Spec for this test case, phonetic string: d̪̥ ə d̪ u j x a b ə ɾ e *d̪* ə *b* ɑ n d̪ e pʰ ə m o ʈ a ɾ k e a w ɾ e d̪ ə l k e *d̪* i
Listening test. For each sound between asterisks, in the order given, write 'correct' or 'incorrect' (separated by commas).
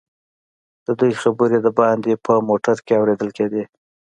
correct, correct, correct